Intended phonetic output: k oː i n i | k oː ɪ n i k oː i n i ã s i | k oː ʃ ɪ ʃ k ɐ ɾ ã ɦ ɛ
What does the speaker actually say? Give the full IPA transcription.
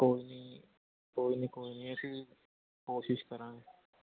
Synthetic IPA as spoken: k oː i n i | k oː i n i k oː i n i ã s i | k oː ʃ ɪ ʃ k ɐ ɾ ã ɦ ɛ